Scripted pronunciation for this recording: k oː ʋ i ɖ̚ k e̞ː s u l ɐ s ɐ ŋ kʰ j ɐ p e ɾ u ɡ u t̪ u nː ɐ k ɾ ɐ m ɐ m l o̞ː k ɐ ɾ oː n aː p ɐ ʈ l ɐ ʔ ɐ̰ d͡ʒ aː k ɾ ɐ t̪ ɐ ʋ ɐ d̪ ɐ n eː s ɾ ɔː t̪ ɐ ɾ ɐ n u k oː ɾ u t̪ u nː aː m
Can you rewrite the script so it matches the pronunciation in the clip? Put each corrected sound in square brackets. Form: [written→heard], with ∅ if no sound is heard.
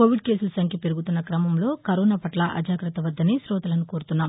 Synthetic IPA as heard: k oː ʋ i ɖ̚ k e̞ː s u l ɐ s ɐ ŋ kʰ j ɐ p e ɾ u ɡ u t̪ u nː ɐ k ɾ ɐ m ɐ m l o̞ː k ɐ ɾ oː n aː p ɐ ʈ l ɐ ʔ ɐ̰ d͡ʒ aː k ɾ ɐ t̪ ɐ ʋ ɐ [d̪→d̪ː] ɐ n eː s ɾ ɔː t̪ ɐ [ɾ→l] ɐ n u k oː ɾ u t̪ u nː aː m